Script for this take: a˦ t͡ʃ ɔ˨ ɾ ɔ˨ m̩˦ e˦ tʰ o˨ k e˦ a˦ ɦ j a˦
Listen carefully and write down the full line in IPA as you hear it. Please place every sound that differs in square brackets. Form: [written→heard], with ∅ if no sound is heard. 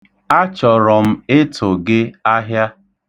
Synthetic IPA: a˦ t͡ʃ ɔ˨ ɾ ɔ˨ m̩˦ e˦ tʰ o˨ [k→ɡ] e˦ a˦ ɦ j a˦